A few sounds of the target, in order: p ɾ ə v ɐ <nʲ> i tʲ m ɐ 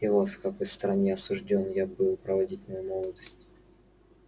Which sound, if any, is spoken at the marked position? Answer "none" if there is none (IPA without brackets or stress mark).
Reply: dʲ